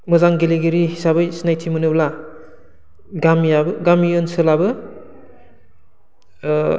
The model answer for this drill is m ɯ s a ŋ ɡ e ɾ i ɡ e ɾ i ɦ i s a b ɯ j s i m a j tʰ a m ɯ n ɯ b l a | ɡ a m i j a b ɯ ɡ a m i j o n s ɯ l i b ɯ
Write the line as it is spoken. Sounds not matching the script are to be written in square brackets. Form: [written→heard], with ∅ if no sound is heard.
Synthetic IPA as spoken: m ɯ [s→z] a ŋ ɡ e [ɾ→l] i ɡ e ɾ i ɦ i s a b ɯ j s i [m→n] a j tʰ [a→i] m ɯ n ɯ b l a | ɡ a m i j a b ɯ ɡ a m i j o n s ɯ l [i→a] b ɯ